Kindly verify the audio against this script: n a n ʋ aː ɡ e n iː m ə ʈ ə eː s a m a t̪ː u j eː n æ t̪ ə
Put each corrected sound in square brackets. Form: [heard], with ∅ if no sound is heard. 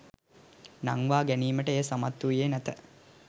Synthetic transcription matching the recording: n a [ŋ] ʋ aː ɡ [æ] n iː m ə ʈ ə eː s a m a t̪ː u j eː n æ t̪ ə